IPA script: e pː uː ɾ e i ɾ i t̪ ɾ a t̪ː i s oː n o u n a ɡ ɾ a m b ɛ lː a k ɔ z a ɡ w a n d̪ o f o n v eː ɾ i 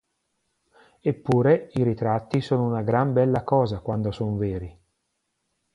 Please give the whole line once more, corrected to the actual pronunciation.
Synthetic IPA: e pː uː ɾ e i ɾ i t̪ ɾ a t̪ː i s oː n o u n a ɡ ɾ a m b ɛ lː a k ɔː z a k w a n d̪ o s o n v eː ɾ i